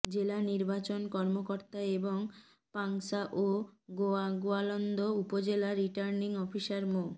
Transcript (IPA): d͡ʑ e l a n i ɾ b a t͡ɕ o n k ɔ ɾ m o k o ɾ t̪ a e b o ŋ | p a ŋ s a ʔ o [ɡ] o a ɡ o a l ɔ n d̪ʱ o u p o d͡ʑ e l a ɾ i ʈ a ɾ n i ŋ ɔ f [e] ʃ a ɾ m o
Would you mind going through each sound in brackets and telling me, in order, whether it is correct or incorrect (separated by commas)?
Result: correct, incorrect